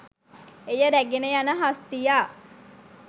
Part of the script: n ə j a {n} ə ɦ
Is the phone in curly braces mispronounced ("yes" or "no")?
no